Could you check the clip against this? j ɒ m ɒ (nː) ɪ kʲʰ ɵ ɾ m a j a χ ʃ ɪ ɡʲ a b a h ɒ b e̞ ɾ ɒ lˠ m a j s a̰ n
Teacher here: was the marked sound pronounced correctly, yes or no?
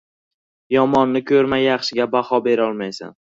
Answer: yes